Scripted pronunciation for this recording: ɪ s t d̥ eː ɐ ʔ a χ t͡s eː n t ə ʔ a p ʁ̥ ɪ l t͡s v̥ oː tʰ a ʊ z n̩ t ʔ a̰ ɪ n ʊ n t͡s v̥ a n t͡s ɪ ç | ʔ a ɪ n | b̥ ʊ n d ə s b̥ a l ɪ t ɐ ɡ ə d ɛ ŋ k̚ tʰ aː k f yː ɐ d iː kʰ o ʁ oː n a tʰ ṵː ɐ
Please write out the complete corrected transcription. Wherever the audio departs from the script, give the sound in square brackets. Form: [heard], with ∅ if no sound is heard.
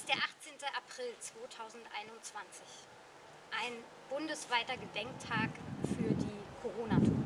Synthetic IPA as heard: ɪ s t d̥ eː ɐ ʔ a χ t͡s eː n t ə ʔ a p ʁ̥ ɪ l t͡s v̥ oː tʰ a ʊ z n̩ t ʔ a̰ ɪ n ʊ n t͡s v̥ a n t͡s ɪ ç | ʔ a ɪ n | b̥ ʊ n d ə s [v̥] a [∅] ɪ t ɐ ɡ ə d ɛ ŋ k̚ tʰ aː k f yː ɐ d iː kʰ o ʁ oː n a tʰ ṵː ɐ